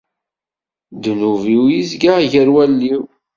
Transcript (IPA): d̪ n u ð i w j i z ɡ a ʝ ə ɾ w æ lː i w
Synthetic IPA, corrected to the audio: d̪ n u v i w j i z ɡ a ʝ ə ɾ w æ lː i w